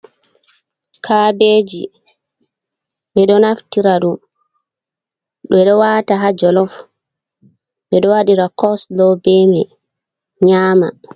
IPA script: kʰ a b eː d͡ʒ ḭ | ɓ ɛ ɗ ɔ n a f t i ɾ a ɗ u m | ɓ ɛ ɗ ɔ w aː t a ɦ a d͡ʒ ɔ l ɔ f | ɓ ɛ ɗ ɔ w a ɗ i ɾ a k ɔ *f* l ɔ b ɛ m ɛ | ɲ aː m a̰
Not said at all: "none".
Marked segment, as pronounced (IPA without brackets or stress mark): s